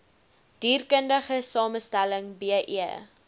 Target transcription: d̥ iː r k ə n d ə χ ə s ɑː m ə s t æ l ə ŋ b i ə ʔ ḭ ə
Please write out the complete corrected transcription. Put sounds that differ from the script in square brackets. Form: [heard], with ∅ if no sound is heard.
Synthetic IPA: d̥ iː r k ə n d ə χ ə s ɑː m ə s t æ l ə ŋ b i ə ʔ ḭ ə